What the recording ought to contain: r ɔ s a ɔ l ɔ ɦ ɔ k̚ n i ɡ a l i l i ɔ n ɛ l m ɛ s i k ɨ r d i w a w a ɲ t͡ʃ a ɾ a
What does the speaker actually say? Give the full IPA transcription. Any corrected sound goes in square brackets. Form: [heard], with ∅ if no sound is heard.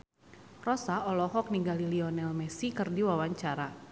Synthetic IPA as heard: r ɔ s a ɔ l ɔ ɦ ɔ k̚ n i ɡ a l i l i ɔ n ɛ l m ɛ s i k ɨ r d i w a w a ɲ t͡ʃ a ɾ a

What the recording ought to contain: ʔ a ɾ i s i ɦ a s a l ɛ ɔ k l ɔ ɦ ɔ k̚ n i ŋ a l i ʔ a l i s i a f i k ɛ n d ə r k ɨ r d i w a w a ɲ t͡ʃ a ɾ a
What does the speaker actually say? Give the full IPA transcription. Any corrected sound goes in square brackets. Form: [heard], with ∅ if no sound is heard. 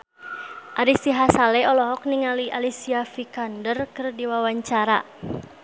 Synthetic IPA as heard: ʔ a ɾ i s i ɦ a s a l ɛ ɔ [∅] l ɔ ɦ ɔ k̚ n i ŋ a l i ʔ a l i s i a f i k [a] n d ə r k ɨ r d i w a w a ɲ t͡ʃ a ɾ a

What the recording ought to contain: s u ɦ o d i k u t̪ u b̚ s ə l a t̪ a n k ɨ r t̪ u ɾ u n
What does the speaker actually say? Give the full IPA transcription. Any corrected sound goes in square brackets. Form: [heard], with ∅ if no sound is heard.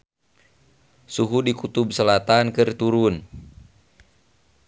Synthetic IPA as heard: s u ɦ [u] d i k u t̪ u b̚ s ə l a t̪ a n k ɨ r t̪ u ɾ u n

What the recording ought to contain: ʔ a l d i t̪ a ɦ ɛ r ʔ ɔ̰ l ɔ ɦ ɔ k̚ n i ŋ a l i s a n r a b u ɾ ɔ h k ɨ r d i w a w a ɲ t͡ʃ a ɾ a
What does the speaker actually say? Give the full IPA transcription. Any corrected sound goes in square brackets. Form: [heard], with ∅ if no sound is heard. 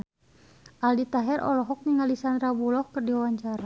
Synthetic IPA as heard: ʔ a l d i t̪ a ɦ ɛ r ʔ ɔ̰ l ɔ ɦ ɔ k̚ n i ŋ a l i s a n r a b u [l] ɔ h k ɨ r d i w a w a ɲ t͡ʃ a ɾ a

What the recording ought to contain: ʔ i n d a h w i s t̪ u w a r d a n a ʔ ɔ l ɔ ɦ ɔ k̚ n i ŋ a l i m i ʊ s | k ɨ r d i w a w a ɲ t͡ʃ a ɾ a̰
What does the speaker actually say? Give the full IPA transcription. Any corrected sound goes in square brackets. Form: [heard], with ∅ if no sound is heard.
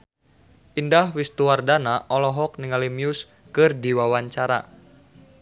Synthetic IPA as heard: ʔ i n d a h w i s t̪ u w a r d a n a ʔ ɔ l ɔ ɦ ɔ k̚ n i ŋ a l i m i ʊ s | k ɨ r d i w a w a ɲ t͡ʃ a ɾ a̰

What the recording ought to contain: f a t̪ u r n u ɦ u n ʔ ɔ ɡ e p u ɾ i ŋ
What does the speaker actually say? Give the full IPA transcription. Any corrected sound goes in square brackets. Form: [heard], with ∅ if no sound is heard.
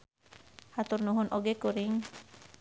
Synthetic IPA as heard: [h] a t̪ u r n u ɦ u n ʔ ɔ ɡ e [k] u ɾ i ŋ

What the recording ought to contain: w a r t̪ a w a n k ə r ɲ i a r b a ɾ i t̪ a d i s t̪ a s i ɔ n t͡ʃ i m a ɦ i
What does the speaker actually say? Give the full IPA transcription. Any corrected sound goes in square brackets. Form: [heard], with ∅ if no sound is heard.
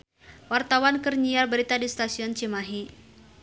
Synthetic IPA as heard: w a r t̪ a w a n k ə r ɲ i a r b [ə] ɾ i t̪ a d i s t̪ a s i ɔ n t͡ʃ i m a ɦ i

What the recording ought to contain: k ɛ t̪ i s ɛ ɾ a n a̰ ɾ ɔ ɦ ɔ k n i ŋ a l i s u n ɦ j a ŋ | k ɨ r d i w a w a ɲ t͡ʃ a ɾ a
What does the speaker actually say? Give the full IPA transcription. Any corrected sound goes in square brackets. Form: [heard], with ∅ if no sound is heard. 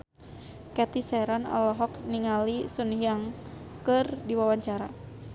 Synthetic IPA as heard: k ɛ t̪ i s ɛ ɾ a n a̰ [l] ɔ ɦ ɔ k n i ŋ a l i s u n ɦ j a ŋ | k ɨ r d i w a w a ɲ t͡ʃ a ɾ a

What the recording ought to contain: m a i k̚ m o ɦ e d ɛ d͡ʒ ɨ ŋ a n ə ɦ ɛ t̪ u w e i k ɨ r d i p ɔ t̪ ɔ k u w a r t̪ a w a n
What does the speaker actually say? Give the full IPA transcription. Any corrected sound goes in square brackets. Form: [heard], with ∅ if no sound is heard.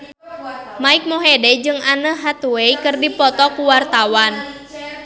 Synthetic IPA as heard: m a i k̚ m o ɦ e d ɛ d͡ʒ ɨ ŋ a n ə ɦ [a] t̪ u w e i k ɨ r d i p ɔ t̪ ɔ k u w a r t̪ a w a n

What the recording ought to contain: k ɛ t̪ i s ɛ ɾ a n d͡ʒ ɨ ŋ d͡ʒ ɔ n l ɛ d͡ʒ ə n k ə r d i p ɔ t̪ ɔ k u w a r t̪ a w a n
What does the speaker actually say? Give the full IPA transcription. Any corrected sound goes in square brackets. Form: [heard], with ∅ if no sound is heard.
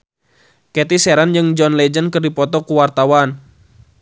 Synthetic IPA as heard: k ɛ t̪ i s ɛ ɾ a n d͡ʒ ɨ ŋ d͡ʒ ɔ n l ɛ d͡ʒ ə n k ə r d i p ɔ t̪ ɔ k u w a r t̪ a w a n

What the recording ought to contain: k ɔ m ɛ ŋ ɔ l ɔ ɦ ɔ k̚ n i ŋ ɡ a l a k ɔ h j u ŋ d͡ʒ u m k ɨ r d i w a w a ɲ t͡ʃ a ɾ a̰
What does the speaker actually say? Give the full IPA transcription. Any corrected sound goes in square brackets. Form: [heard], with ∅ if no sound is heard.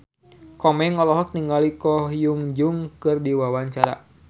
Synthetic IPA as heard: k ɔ m ɛ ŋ ɔ l ɔ ɦ ɔ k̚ n i ŋ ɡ a l [i] k ɔ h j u ŋ d͡ʒ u [ŋ] k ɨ r d i w a w a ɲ t͡ʃ a ɾ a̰

